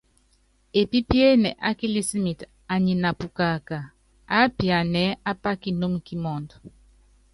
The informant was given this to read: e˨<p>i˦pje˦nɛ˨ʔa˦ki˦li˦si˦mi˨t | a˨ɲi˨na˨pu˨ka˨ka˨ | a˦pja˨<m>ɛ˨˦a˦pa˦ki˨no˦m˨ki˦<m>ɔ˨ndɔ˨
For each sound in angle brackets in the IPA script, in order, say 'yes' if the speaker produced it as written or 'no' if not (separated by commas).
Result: yes, no, yes